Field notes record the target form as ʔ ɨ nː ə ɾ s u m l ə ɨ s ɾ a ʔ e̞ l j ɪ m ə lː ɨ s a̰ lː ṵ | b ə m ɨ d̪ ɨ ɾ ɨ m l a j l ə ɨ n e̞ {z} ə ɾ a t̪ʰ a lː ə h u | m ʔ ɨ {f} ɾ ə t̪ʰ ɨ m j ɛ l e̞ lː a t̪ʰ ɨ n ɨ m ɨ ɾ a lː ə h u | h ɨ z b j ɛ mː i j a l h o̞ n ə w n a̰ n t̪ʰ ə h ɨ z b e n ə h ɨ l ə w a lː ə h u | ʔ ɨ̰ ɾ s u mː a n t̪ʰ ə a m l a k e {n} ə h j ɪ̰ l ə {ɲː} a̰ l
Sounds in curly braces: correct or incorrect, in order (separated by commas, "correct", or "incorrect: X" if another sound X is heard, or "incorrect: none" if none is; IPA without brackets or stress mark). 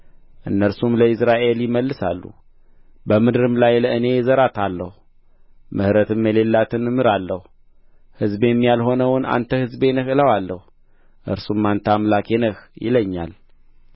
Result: correct, incorrect: h, correct, correct